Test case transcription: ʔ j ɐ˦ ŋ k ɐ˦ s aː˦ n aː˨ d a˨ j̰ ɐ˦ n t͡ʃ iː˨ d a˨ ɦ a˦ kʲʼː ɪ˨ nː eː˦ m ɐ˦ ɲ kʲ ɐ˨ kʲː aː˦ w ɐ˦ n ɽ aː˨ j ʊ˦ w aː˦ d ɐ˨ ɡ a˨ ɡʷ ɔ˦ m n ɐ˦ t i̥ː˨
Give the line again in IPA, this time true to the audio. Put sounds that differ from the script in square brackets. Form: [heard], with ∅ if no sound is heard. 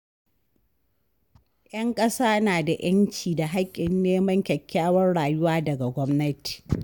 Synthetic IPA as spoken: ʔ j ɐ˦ ŋ [kʼ] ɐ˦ s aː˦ n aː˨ d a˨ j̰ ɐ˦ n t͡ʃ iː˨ d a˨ ɦ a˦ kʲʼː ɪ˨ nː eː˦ m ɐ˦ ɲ kʲ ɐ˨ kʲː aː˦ w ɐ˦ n ɽ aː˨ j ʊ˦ w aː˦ d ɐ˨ ɡ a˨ ɡʷ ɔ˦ m n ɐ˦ t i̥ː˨

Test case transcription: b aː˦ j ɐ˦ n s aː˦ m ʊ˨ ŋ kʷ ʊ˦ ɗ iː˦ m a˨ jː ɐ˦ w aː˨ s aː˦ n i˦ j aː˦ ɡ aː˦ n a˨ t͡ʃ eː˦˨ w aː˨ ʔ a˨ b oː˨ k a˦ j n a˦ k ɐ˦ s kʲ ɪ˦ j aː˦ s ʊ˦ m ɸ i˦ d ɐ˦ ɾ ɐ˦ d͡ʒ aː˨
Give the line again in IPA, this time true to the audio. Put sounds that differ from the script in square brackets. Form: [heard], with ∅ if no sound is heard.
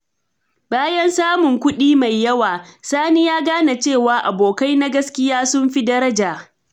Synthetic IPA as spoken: b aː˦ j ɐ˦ n s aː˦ m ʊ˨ ŋ kʷ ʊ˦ ɗ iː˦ m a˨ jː ɐ˦ w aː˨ s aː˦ n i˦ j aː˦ ɡ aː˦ n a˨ t͡ʃ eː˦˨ w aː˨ ʔ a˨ b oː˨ k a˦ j n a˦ [ɡ] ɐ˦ s kʲ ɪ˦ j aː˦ s ʊ˦ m ɸ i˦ d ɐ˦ ɾ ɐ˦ d͡ʒ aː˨

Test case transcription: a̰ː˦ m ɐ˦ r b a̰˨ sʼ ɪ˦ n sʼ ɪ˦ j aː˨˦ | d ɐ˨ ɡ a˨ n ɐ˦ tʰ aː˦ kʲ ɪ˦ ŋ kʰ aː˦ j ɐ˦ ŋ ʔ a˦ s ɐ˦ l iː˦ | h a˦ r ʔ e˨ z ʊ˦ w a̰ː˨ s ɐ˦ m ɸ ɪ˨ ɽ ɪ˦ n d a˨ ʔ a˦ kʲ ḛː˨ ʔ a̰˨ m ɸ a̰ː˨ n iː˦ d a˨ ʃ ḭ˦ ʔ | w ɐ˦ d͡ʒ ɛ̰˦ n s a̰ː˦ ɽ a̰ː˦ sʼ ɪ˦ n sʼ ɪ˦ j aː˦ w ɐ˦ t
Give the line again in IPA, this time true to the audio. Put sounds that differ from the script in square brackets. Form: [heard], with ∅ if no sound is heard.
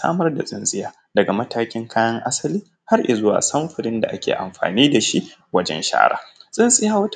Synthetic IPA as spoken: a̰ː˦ m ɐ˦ r [d] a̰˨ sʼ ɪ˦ n sʼ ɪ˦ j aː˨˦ | d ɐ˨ ɡ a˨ [m] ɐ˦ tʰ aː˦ kʲ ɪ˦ ŋ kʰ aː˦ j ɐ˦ ŋ ʔ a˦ s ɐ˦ l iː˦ | h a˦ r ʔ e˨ z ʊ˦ w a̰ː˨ s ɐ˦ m ɸ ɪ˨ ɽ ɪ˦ n d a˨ ʔ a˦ kʲ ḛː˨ ʔ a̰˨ m ɸ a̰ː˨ n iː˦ d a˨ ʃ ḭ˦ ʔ | w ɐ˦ d͡ʒ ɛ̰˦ n [ʃ] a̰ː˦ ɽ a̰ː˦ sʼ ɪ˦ n sʼ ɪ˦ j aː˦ w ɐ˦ t

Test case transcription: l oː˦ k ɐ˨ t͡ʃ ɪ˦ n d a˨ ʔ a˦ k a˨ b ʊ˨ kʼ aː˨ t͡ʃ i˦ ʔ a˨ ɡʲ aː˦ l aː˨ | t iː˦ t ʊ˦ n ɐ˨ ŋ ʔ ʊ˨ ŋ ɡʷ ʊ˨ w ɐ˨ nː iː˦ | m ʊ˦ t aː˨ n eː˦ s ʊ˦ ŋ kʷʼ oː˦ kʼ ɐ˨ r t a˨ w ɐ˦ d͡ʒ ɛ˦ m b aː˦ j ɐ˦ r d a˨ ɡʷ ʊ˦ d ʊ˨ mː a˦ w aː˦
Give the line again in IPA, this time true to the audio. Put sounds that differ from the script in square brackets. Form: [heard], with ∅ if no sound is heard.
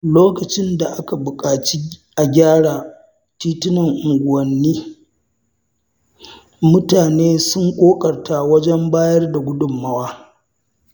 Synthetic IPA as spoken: l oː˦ k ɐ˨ t͡ʃ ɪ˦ n d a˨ ʔ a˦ k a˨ b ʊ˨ kʼ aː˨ t͡ʃ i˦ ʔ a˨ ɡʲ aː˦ [ɽ] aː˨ | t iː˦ t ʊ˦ n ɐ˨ ŋ ʔ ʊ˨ ŋ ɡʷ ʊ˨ w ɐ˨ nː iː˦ | m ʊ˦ t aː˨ n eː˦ s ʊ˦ ŋ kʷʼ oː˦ kʼ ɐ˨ r t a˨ w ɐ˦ d͡ʒ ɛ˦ m b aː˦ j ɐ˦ r d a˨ ɡʷ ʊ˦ d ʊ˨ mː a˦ w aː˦

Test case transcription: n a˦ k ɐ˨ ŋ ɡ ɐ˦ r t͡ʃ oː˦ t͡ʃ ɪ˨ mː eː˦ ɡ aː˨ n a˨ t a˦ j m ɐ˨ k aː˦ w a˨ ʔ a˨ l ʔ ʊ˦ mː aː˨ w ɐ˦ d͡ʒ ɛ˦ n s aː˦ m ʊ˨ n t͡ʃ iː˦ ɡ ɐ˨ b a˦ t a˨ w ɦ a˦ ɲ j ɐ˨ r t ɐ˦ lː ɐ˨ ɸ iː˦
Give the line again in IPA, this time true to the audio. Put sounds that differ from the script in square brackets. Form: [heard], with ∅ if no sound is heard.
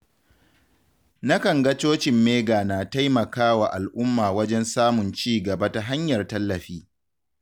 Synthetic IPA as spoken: n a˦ k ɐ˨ ŋ ɡ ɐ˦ [∅] t͡ʃ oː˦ t͡ʃ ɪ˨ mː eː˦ ɡ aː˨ n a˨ t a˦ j m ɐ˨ k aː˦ w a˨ ʔ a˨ l ʔ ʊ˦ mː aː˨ w ɐ˦ d͡ʒ ɛ˦ n s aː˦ m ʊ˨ n t͡ʃ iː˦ ɡ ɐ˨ b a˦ t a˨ [∅] ɦ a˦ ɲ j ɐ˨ r t ɐ˦ lː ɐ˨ ɸ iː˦

